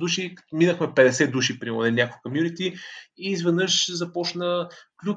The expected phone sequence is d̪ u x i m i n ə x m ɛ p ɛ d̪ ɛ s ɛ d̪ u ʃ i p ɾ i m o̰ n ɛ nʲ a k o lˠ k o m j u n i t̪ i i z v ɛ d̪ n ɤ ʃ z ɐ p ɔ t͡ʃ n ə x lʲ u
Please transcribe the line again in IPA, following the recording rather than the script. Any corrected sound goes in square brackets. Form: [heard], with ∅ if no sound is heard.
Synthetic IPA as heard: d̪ u [ʃ] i m i n ə x m ɛ p ɛ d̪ ɛ s ɛ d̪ u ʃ i p ɾ i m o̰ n ɛ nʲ a k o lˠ k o m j u n i t̪ i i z v ɛ d̪ n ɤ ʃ z ɐ p ɔ t͡ʃ n ə [k] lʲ u